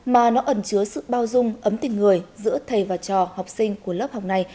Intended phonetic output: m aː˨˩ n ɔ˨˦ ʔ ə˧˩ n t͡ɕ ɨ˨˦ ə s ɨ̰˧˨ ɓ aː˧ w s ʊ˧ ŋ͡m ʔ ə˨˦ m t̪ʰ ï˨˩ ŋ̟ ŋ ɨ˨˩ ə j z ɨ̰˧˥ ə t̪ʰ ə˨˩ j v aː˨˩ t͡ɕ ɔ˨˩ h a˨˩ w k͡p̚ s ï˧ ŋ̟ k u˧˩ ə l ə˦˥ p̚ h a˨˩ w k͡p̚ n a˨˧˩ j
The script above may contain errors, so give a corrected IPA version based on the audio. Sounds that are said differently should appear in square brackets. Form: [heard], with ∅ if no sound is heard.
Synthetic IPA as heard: m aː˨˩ n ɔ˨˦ ʔ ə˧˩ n t͡ɕ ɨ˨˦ ə s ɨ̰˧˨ ɓ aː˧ w [z] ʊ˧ ŋ͡m ʔ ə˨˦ m [t̪] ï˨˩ ŋ̟ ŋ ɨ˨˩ ə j z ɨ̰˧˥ ə t̪ʰ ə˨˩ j v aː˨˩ t͡ɕ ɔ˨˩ h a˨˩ w k͡p̚ s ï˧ ŋ̟ k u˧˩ ə l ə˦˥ p̚ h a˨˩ w k͡p̚ n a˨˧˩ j

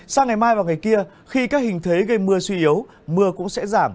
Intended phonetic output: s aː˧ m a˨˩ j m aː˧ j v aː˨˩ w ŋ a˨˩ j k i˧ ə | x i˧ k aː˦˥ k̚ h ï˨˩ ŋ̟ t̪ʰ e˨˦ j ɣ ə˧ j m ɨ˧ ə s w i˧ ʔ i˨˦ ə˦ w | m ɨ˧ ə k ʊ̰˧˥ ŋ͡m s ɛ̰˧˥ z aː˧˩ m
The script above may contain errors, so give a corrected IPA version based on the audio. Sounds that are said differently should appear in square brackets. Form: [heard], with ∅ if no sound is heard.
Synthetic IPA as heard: s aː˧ [ŋ] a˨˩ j m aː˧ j v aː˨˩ w ŋ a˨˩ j k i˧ ə | x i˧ k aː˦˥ k̚ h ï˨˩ ŋ̟ t̪ʰ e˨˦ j ɣ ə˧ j m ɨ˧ ə s w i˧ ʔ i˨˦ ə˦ w | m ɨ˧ ə k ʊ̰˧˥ ŋ͡m s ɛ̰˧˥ z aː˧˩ m

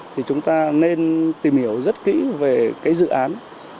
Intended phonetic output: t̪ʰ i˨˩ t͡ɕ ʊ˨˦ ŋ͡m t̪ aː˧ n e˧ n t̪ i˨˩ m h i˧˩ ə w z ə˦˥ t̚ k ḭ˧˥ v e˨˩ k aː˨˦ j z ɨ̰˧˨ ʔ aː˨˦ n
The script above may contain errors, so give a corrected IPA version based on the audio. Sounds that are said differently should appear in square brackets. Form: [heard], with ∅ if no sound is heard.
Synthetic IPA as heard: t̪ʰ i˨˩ t͡ɕ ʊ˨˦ ŋ͡m t̪ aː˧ n e˧ n t̪ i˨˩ m h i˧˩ ə w z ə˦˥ t̚ k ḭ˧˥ v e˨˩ k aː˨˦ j z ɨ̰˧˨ ʔ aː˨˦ n

